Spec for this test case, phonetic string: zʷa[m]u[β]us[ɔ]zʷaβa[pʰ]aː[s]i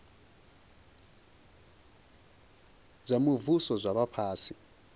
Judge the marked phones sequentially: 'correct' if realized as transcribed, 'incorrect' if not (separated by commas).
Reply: correct, incorrect, correct, correct, correct